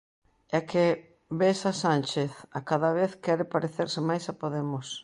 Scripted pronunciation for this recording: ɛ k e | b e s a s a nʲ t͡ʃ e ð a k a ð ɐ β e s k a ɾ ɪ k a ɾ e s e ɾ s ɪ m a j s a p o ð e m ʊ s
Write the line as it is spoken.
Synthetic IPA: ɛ k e | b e s a s a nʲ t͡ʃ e θ a k a ð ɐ β e θ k ɛ ɾ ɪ p a ɾ e θ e ɾ s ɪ m a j s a p o ð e m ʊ s

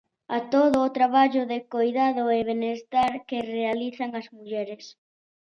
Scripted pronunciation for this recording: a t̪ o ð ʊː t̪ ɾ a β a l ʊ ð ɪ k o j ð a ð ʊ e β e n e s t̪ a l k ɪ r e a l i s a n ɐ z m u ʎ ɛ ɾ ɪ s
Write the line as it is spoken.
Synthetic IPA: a t̪ o ð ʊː t̪ ɾ a β a ʎ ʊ ð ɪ k o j ð a ð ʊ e β e n e s t̪ a ɾ k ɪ r e a l i θ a ŋ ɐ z m u ʎ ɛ ɾ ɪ s

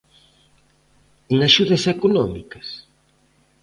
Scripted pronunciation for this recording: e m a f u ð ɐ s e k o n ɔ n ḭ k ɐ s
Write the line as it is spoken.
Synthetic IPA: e ŋ a ʃ u ð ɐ s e k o n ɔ m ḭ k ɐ s

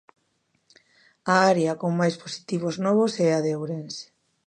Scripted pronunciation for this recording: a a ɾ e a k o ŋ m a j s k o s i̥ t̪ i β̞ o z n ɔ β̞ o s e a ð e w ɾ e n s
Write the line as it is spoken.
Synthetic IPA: a a ɾ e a k o ŋ m a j s p o s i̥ t̪ i β̞ o z n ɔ β̞ o s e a ð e w ɾ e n s

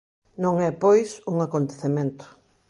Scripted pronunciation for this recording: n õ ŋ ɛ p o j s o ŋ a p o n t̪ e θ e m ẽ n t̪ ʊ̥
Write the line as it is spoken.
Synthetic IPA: n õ ŋ ɛ p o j s u ŋ a k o n t̪ e θ e m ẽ n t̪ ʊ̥

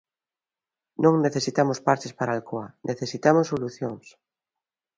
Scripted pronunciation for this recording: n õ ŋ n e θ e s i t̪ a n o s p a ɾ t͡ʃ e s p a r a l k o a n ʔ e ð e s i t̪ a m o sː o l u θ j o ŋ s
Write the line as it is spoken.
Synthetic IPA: n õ ŋ n e θ e s i t̪ a m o s p a ɾ t͡ʃ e s p a ɾ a l k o a n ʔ e θ e s i t̪ a m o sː o l u θ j o ŋ s

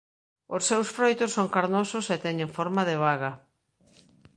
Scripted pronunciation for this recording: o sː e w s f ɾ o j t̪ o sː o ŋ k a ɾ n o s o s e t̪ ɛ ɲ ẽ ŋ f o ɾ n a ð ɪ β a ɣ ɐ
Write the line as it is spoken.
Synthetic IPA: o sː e w s f ɾ o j t̪ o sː o ŋ k a ɾ n o s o s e t̪ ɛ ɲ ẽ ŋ f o ɾ m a ð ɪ β a ɣ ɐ

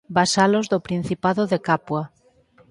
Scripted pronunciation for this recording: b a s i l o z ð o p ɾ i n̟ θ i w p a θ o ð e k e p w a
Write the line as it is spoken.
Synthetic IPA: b a s a l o z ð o p ɾ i n̟ θ i p a ð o ð e k a p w a

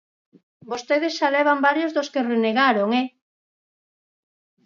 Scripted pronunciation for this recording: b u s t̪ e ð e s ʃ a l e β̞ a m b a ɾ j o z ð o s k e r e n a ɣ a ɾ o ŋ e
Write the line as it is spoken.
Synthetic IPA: b o s t̪ e ð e s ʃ a l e β̞ a m b a ɾ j o z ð o s k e r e n e ɣ a ɾ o ŋ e

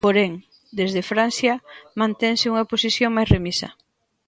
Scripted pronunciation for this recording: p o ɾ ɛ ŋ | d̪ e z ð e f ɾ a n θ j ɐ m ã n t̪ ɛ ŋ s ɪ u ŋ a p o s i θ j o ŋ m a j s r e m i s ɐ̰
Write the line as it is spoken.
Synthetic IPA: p o ɾ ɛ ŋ | d̪ e z ð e f ɾ a n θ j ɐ m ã n t̪ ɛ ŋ s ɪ u ŋ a p o s i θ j o ŋ m a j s r e m i s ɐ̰

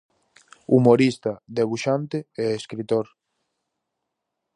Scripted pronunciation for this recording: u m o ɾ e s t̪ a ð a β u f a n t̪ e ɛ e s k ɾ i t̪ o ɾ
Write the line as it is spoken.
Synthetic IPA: u m o ɾ i s t̪ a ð e β u ʃ a n t̪ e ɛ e s k ɾ i t̪ o ɾ

